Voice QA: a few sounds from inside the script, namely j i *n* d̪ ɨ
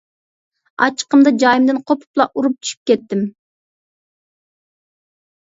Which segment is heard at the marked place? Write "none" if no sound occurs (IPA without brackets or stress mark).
m